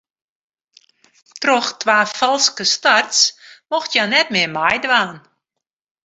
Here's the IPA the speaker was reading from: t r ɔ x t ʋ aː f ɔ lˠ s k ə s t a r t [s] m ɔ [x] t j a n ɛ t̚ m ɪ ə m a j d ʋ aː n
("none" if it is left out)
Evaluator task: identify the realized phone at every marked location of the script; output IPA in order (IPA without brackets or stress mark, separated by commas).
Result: s, x